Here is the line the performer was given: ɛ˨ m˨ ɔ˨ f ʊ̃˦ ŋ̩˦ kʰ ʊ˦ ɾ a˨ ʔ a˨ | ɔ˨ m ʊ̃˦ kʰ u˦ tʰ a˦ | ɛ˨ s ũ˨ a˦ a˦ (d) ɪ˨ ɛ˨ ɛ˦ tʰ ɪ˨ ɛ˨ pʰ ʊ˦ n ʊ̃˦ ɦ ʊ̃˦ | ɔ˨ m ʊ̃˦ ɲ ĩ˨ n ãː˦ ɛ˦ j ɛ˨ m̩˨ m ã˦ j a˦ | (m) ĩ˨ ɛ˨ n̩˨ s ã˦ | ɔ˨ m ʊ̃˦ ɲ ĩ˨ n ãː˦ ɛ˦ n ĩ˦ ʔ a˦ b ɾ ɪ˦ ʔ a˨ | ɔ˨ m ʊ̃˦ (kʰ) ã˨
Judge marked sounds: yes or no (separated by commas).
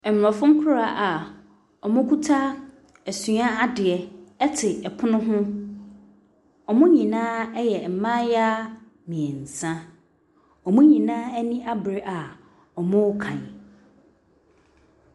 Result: yes, yes, yes